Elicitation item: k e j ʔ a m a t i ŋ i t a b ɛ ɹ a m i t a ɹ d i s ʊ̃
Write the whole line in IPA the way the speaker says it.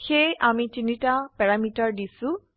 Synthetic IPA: x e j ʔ a m i t i n i t a p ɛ ɹ a m i t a ɹ d i s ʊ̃